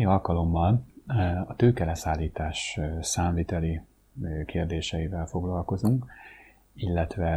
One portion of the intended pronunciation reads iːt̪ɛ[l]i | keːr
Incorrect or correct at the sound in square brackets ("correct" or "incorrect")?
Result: correct